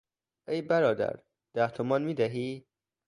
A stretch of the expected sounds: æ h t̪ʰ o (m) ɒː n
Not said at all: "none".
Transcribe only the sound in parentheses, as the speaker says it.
m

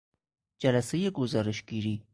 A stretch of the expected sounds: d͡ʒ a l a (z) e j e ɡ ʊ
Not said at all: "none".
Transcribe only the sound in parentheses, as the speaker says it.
s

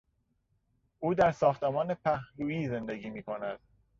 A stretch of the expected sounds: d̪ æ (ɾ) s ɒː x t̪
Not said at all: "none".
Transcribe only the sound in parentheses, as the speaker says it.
ɾ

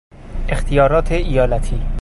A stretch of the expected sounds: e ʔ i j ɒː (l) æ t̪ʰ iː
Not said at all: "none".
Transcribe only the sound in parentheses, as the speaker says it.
l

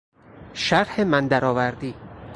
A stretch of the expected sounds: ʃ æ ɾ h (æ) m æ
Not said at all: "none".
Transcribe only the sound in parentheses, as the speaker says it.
e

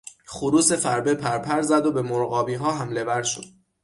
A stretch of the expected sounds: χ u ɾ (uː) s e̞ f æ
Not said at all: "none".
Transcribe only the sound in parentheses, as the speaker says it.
uː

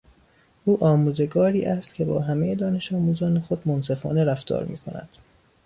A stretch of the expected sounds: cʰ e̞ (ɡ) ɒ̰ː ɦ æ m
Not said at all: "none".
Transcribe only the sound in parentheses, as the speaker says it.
b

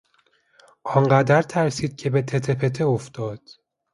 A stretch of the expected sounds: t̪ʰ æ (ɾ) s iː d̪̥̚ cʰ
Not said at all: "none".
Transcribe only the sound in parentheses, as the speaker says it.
ɾ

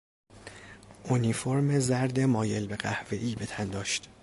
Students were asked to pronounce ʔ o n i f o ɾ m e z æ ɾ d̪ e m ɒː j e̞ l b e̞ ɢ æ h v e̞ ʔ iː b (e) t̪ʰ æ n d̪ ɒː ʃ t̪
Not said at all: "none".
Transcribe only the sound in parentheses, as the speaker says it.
e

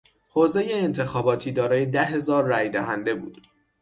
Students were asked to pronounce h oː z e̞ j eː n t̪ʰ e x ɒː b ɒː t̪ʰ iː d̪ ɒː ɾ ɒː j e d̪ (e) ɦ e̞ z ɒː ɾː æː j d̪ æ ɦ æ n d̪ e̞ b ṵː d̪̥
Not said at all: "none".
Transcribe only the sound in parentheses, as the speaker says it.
æ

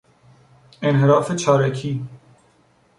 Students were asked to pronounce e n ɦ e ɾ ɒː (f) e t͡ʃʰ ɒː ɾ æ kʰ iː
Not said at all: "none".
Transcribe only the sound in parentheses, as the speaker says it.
f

